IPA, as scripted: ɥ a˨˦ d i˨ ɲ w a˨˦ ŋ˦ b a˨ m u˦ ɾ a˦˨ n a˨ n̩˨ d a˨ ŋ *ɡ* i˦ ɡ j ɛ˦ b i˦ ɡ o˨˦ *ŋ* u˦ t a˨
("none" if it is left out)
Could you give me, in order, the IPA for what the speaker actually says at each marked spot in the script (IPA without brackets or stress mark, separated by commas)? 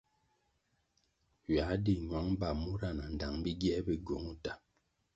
b, ŋ